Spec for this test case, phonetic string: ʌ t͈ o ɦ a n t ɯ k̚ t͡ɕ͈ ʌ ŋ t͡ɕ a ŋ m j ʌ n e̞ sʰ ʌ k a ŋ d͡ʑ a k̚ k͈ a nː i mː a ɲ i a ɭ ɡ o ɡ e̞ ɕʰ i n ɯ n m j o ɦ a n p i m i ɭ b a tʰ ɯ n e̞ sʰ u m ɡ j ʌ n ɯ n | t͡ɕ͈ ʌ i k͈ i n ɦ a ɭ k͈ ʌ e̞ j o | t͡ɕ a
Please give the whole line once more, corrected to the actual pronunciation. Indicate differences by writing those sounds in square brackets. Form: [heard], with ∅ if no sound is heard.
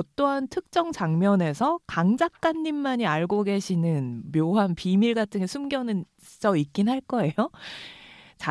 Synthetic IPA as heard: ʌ t͈ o ɦ a n [tʰ] ɯ k̚ t͡ɕ͈ ʌ ŋ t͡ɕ a ŋ m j ʌ n e̞ sʰ ʌ k a ŋ d͡ʑ a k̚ k͈ a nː i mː a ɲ i a ɭ ɡ o ɡ e̞ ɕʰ i n ɯ n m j o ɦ a n p i m i ɭ [ɡ] a tʰ ɯ [ŋ] e̞ sʰ u m ɡ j ʌ n ɯ n | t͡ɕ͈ ʌ i k͈ i n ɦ a ɭ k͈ ʌ e̞ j o | t͡ɕ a